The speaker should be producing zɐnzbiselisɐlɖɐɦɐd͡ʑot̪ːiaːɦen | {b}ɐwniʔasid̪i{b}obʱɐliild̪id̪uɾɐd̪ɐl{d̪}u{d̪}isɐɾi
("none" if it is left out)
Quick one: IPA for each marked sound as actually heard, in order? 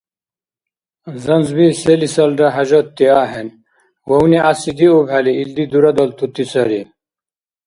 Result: w, none, t̪, t̪

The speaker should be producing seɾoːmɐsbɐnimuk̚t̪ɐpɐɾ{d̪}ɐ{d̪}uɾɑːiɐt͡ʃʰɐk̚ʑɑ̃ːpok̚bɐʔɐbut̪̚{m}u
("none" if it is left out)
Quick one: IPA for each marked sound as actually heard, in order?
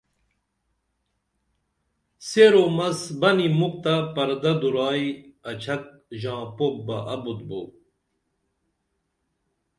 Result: d̪, d̪, b

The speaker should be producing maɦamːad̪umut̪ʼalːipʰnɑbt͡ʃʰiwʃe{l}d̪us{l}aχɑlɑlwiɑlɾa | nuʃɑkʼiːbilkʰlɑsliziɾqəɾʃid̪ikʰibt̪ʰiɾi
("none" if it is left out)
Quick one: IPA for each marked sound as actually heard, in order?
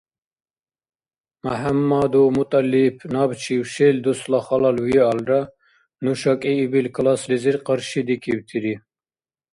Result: l, l

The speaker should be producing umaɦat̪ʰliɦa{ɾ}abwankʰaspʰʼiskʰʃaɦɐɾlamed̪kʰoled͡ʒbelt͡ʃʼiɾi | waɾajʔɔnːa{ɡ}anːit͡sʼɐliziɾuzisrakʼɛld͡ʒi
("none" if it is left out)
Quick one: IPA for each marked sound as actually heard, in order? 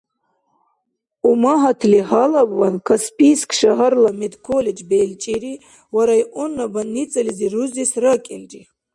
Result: l, b

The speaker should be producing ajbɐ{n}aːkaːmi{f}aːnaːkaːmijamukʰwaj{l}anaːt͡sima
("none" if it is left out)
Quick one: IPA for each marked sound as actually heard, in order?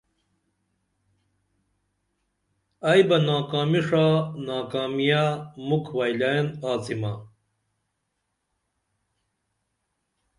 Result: n, ʂ, l

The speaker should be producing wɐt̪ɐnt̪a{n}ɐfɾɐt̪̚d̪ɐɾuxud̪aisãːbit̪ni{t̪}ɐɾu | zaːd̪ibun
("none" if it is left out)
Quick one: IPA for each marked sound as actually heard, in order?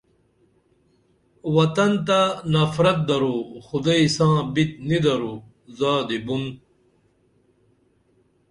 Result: n, d̪

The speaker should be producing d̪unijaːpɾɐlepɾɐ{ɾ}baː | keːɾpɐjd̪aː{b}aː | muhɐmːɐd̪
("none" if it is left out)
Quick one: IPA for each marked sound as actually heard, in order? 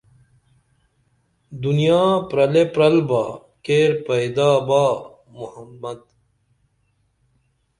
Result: l, b

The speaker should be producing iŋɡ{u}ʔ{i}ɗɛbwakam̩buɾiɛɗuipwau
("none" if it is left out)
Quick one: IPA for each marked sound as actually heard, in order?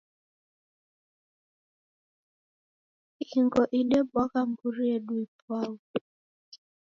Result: ɔ, i

